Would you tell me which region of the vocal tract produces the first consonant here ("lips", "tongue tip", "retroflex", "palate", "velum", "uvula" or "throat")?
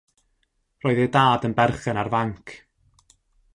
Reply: tongue tip